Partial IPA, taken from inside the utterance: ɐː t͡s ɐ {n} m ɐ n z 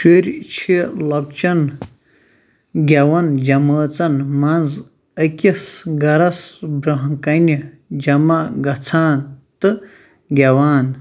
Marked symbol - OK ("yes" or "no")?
yes